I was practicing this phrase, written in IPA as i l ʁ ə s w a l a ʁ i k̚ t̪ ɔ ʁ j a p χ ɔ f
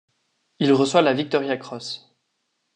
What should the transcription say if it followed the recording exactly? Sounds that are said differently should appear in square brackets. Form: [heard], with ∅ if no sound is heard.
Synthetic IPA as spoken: i l ʁ ə s w a l a [v] i k̚ t̪ ɔ ʁ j a [k] χ ɔ [s]